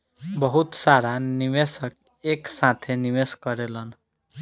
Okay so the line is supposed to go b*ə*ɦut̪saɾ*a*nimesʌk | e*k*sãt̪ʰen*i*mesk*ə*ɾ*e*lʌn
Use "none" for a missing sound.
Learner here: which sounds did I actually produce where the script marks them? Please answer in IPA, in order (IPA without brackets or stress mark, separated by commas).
ʌ, a, k, i, ʌ, e